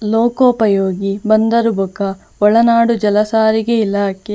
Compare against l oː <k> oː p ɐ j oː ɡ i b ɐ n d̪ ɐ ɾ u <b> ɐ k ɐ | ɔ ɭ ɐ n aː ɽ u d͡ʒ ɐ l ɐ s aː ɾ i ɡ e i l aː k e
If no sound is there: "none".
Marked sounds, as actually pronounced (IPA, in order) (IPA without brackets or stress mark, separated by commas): k, b